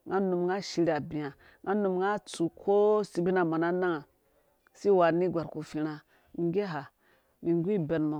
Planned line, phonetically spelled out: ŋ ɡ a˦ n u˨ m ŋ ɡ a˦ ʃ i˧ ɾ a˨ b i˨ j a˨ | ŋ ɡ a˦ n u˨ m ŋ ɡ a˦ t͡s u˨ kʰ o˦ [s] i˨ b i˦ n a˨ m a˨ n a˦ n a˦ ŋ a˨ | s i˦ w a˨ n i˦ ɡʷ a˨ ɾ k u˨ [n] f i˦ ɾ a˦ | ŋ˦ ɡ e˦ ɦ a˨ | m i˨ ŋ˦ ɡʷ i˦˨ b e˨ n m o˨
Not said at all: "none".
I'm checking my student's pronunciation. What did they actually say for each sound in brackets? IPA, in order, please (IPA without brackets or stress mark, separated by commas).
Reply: s, none